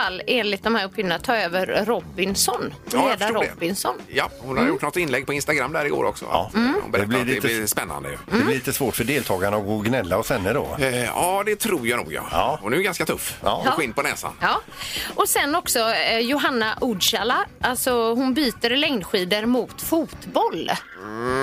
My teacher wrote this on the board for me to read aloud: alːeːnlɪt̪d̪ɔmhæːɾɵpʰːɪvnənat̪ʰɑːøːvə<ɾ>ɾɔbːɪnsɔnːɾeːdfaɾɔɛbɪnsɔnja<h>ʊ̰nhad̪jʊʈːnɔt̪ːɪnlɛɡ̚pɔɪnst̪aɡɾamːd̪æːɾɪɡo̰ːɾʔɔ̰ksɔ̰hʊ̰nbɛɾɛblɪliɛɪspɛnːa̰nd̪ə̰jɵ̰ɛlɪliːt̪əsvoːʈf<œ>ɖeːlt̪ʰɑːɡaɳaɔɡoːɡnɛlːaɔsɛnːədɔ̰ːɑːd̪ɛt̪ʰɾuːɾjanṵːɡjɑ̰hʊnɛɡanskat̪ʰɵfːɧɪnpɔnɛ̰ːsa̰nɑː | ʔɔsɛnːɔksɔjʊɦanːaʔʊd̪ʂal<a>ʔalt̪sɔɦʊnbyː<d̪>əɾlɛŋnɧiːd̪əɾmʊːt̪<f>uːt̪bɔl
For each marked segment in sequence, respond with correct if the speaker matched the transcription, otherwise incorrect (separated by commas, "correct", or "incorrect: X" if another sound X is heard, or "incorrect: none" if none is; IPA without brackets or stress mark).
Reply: correct, correct, correct, correct, incorrect: t̪, correct